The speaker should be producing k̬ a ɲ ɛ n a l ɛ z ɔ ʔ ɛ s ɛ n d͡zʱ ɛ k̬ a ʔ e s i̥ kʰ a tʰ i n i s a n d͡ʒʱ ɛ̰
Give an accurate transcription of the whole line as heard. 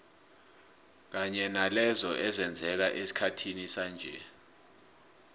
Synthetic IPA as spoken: k̬ a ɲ ɛ n a l ɛ z ɔ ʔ ɛ z ɛ n d͡zʱ ɛ k̬ a ʔ e s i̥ kʰ a tʰ i n i s a n d͡ʒʱ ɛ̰